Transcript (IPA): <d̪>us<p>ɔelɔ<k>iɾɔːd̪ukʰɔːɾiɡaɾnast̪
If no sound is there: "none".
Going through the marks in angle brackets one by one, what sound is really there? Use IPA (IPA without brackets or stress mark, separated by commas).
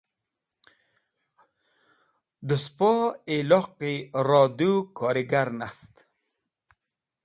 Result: d̪, p, q